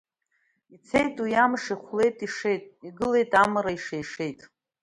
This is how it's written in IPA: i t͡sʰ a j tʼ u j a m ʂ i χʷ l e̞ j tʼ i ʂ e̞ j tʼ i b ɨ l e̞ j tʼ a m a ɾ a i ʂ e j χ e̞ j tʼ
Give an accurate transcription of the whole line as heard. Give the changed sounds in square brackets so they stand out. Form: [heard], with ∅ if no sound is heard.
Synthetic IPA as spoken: i t͡sʰ [e] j tʼ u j a m ʂ i χʷ l e̞ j tʼ i ʂ e̞ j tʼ i [ɡ] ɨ l e̞ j tʼ a m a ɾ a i ʂ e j [ʂ] e̞ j tʼ